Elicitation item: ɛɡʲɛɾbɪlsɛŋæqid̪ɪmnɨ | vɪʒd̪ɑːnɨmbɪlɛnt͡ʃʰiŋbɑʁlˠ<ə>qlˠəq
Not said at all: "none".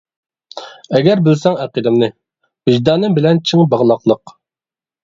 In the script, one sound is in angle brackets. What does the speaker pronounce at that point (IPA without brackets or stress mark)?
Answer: ɑ